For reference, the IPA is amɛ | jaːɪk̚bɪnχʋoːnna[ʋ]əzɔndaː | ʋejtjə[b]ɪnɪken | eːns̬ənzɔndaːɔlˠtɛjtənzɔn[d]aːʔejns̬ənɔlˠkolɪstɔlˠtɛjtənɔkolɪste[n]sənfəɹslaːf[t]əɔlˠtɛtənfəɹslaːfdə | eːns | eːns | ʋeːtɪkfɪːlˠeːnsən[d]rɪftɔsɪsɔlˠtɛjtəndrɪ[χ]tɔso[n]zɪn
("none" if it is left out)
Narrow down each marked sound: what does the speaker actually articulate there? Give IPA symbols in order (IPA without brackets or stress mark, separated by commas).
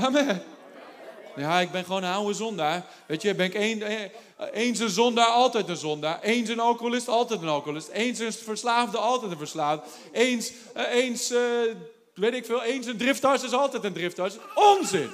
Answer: w, b, d, n, d, d, f, n